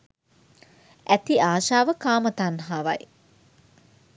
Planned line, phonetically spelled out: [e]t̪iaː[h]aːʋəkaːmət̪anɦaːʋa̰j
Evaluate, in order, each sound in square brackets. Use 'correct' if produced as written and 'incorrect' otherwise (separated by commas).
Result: incorrect, incorrect